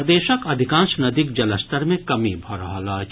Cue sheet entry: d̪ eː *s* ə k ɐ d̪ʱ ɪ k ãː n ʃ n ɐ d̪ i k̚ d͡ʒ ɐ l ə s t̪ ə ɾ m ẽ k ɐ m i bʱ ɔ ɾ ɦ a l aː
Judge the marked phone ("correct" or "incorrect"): incorrect